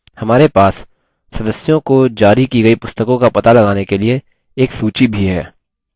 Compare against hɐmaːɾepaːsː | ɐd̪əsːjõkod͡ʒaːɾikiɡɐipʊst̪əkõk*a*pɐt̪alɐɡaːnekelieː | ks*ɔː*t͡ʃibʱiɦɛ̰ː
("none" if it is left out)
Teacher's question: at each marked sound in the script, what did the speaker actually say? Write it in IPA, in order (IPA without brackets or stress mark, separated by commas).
a, uː